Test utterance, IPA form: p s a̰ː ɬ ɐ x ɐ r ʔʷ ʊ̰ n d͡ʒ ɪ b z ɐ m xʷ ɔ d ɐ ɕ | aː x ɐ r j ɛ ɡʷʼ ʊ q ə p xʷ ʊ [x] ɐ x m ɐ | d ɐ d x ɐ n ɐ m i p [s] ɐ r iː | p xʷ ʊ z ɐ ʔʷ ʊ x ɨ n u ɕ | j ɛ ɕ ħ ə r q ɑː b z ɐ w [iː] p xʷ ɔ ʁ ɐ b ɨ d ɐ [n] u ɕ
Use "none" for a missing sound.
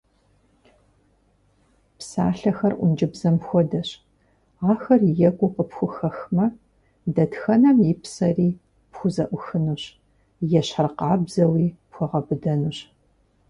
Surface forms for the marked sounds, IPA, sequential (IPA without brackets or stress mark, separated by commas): x, s, iː, n